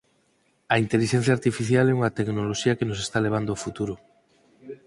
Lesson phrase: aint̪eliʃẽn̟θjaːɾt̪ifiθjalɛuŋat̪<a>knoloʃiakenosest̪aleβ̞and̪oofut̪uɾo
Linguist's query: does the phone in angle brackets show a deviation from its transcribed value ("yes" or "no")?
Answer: yes